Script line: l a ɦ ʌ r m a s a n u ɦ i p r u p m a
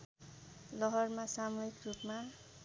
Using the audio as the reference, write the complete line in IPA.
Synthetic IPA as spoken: l ʌ ɦ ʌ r m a s a m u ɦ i k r u p m a